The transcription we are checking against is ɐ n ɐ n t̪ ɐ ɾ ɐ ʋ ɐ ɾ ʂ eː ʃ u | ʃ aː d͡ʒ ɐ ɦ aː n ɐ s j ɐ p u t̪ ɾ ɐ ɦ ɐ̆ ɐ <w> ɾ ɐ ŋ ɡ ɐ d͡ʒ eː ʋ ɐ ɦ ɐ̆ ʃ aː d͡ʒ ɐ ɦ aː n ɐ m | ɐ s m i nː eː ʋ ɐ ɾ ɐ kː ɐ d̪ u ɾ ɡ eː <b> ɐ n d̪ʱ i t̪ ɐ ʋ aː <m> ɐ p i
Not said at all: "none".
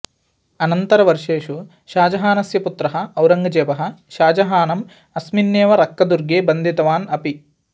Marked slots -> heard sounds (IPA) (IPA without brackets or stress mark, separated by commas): w, b, n